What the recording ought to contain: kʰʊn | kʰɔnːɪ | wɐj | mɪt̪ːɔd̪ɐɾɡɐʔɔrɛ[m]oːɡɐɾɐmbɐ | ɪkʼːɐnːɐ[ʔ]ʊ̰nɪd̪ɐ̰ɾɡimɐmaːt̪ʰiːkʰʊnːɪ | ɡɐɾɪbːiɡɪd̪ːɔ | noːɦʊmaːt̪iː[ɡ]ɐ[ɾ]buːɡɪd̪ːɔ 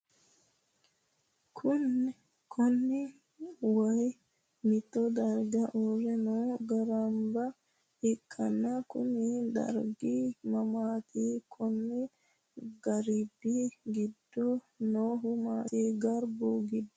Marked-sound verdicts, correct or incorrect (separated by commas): incorrect, incorrect, correct, correct